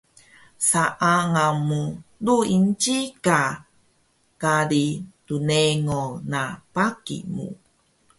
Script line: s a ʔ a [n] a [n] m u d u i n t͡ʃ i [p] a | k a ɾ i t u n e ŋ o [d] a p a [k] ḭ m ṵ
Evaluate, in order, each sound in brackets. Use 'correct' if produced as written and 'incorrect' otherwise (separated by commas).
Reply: incorrect, incorrect, incorrect, incorrect, correct